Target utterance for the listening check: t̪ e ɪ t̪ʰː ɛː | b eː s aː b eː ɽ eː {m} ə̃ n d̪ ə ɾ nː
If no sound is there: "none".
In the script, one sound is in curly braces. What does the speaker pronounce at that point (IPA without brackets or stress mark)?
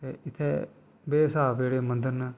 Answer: m